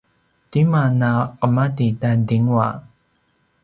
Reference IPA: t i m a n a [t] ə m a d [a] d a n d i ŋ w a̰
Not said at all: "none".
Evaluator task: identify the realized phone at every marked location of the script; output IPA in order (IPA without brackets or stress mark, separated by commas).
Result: q, i